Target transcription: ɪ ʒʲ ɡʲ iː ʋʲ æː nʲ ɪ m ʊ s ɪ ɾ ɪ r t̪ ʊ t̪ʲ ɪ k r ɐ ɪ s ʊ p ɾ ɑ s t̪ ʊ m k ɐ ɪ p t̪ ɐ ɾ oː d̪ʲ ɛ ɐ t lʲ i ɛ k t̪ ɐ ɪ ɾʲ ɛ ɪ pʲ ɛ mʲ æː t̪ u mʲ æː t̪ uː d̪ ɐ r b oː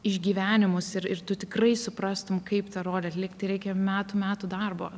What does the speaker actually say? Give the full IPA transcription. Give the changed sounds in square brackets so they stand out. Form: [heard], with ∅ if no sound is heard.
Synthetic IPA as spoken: ɪ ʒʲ ɡʲ iː ʋʲ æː nʲ ɪ m ʊ s ɪ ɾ ɪ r t̪ ʊ t̪ʲ ɪ k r ɐ ɪ s ʊ p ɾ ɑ s t̪ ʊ m k ɐ ɪ p t̪ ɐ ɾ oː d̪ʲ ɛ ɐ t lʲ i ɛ k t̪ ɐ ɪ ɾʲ ɛ ɪ [kʲ] ɛ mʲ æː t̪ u mʲ æː t̪ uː d̪ ɐ r b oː